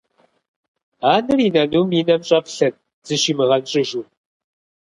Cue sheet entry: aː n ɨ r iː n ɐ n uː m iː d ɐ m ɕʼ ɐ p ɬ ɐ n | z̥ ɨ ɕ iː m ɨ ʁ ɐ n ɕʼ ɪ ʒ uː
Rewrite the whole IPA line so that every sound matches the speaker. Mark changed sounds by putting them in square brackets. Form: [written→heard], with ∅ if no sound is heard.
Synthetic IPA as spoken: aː n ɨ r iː n ɐ n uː m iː [d→n] ɐ m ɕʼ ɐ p ɬ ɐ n | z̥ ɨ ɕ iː m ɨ ʁ ɐ n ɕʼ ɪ ʒ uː